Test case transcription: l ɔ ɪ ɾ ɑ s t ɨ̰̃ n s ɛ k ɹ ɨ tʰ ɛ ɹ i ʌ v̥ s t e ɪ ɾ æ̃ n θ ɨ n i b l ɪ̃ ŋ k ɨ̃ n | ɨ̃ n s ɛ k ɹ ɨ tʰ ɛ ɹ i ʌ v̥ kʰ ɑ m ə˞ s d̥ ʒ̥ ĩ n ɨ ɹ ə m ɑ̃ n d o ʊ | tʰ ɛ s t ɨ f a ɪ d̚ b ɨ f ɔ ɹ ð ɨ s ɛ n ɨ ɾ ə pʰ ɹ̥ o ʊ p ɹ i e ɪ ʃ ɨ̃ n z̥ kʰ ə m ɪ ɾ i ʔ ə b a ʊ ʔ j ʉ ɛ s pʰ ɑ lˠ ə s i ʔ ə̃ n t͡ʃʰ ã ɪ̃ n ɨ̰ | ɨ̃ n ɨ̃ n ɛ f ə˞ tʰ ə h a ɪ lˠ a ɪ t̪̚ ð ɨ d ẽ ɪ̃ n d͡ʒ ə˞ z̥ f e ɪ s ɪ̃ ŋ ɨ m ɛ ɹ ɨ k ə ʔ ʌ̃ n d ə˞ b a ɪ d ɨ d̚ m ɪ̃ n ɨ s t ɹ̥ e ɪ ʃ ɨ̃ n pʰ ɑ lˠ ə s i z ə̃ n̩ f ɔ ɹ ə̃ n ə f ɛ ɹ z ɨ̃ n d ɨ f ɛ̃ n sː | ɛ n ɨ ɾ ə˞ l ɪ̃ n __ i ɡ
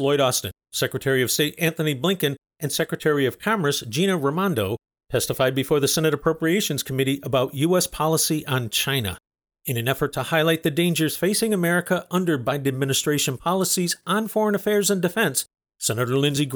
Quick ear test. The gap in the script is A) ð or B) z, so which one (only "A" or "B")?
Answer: B